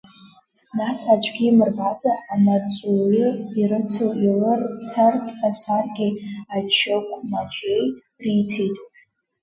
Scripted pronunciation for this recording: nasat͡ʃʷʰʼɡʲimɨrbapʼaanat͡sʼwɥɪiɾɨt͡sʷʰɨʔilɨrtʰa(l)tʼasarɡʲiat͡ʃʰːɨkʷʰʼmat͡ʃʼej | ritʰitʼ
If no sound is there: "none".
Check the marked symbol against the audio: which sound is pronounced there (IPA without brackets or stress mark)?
r